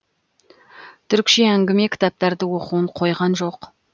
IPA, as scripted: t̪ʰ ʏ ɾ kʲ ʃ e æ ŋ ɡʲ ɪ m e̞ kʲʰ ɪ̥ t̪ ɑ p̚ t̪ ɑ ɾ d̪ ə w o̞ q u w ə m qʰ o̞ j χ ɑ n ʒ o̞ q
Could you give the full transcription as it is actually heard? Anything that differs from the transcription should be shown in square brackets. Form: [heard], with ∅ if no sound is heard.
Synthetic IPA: t̪ʰ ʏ ɾ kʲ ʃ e æ ŋ ɡʲ ɪ m e̞ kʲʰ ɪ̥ t̪ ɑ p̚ t̪ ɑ ɾ d̪ ə w o̞ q u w ə [ɴ] qʰ o̞ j [ʁ] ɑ n ʒ o̞ q